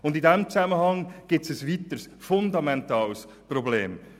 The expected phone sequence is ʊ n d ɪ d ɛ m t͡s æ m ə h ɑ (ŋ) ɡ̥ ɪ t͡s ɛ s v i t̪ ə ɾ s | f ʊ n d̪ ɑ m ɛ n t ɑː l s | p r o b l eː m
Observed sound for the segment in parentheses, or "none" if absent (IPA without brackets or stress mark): ŋ